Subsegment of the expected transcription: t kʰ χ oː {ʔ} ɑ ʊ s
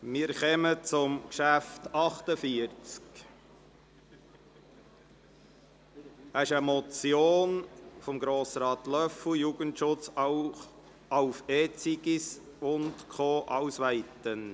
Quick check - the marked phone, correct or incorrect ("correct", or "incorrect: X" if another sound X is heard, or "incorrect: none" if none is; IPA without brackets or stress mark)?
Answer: correct